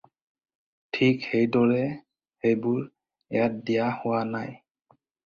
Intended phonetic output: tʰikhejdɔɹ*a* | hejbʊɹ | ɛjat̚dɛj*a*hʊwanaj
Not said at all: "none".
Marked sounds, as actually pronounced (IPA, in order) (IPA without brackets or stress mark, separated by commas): ɛ, a